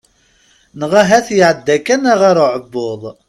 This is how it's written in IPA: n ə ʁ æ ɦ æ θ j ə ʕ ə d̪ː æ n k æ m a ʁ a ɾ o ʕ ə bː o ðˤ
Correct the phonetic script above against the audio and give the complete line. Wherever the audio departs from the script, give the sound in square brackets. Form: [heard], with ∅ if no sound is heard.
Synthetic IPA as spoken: n ə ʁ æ ɦ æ θ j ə ʕ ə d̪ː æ [∅] k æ [n] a ʁ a ɾ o ʕ ə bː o ðˤ